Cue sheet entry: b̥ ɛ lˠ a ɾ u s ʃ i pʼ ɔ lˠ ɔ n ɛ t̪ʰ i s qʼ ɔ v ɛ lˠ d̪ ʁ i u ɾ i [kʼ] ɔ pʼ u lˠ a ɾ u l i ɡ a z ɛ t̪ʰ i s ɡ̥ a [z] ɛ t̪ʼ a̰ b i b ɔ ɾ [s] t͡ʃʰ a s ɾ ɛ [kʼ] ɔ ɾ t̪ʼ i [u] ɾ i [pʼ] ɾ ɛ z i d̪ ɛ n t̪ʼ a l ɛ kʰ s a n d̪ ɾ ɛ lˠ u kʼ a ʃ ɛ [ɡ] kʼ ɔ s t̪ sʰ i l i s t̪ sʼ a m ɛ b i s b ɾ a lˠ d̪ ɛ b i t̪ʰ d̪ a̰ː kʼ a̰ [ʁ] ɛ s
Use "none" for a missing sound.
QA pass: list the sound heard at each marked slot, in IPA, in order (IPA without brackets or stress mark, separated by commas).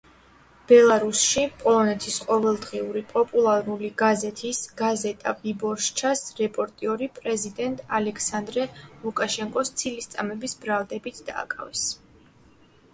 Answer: pʼ, z, ʃ, pʼ, ɔ, pʼ, ŋ, v